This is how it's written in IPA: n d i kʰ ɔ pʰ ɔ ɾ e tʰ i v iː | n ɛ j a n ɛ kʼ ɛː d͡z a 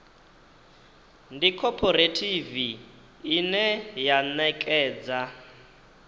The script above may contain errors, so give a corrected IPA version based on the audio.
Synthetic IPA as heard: n d i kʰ ɔ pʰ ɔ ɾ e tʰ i v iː | n ɛ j a n ɛ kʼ ɛː d͡z a